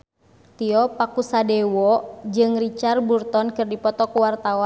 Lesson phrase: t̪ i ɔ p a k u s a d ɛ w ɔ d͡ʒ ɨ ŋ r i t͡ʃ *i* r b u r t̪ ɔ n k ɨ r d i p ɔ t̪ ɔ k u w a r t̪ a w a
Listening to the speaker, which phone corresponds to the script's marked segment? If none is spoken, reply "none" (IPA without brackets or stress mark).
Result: a